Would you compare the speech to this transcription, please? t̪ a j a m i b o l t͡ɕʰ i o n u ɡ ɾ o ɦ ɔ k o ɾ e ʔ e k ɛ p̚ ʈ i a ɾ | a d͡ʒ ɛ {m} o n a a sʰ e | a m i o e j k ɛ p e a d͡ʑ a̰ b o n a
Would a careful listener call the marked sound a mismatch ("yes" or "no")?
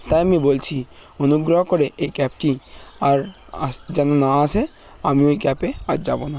yes